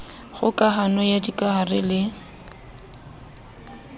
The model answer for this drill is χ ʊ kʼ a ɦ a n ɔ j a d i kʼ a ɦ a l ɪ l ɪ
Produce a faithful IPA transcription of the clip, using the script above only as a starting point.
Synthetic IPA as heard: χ ʊ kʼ a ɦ a n ɔ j a d i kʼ a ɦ a r ɪ l ɪ